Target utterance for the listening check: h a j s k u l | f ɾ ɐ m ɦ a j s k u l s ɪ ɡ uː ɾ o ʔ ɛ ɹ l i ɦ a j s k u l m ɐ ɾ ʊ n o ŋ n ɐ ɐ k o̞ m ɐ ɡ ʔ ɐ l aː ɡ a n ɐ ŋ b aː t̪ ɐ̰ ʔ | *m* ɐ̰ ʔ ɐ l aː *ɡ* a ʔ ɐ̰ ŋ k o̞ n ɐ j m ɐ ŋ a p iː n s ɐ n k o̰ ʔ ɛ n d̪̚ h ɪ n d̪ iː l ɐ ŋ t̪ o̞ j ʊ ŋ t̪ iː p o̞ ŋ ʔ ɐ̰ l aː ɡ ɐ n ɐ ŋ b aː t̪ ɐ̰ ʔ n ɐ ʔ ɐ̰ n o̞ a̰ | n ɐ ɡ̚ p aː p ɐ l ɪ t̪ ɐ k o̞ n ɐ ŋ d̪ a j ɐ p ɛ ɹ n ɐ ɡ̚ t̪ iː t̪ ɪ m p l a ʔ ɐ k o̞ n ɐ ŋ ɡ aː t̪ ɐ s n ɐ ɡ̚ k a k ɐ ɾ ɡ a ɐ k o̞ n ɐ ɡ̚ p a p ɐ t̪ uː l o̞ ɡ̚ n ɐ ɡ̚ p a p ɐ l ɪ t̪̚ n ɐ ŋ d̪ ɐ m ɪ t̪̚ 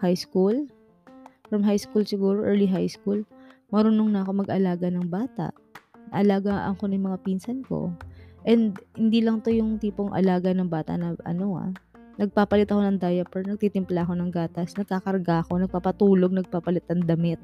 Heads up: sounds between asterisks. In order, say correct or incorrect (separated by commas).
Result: incorrect, correct